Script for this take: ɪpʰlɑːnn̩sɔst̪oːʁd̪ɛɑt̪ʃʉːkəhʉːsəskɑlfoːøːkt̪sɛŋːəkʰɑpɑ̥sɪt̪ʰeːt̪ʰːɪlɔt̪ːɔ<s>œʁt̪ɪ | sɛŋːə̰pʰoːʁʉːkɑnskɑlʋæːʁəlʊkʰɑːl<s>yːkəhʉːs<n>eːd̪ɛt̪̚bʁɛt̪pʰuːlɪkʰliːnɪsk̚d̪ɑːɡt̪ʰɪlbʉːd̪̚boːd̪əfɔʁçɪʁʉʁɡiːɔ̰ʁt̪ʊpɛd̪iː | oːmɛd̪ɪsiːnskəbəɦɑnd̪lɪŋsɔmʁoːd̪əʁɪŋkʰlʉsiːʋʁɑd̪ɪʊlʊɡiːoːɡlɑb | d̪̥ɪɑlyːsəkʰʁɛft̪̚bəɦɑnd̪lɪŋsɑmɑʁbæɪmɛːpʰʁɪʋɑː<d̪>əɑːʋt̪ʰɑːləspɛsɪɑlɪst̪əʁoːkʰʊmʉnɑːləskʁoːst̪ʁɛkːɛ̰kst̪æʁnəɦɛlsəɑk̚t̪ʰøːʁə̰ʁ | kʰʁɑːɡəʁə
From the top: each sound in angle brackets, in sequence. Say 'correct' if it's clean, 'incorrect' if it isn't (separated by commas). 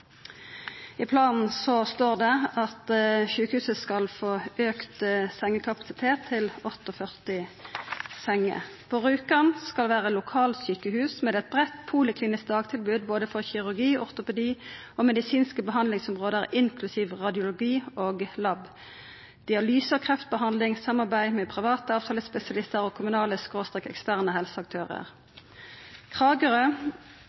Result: incorrect, correct, incorrect, incorrect